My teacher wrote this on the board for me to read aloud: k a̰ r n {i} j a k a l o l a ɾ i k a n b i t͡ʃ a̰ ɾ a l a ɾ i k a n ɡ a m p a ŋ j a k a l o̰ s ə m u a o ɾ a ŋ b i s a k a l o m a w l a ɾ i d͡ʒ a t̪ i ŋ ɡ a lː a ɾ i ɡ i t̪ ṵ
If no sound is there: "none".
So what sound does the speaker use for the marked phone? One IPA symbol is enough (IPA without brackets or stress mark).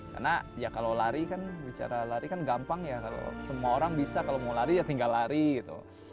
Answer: a